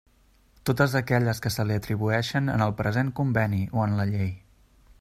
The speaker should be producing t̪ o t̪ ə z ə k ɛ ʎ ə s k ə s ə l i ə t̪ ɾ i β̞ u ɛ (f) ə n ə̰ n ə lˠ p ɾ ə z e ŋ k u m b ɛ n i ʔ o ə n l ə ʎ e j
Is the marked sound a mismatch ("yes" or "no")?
yes